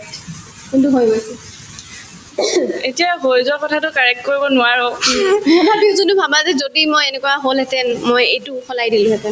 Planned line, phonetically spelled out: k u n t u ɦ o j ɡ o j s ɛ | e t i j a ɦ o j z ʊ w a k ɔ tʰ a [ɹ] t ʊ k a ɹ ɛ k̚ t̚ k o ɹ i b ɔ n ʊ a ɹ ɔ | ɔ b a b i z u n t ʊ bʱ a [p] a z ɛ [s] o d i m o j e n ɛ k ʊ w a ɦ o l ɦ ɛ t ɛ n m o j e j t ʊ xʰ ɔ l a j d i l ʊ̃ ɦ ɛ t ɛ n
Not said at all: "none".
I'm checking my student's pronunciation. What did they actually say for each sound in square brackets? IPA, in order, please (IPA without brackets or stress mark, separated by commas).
none, b, z